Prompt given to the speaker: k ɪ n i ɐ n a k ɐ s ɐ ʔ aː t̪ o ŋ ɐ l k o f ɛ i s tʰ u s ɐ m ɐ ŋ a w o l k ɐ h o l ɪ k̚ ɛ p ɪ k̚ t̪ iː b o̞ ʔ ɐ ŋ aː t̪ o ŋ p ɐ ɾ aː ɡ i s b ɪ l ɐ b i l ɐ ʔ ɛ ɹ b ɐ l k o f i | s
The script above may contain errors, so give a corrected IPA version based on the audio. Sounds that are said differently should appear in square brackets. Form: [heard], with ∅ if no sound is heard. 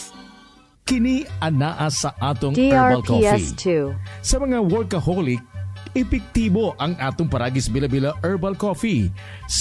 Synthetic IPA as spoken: k ɪ n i ɐ n a [ʔ] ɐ s ɐ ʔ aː t̪ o ŋ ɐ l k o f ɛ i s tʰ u s ɐ m ɐ ŋ a w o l k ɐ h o l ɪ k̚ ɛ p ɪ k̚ t̪ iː b o̞ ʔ ɐ ŋ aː t̪ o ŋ p ɐ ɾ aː ɡ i s b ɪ l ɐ b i l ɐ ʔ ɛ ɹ b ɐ l k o f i | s